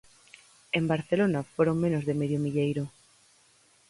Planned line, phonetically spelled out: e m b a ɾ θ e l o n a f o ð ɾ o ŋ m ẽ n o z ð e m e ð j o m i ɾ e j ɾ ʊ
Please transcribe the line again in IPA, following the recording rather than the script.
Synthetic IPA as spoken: e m b a ɾ θ e l o n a f o ɾ o ŋ m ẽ n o z ð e m e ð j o m i ʎ e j ɾ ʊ